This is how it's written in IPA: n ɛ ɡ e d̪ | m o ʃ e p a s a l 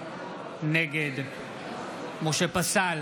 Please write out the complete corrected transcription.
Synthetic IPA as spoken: n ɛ ɡ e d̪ | m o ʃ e p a s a l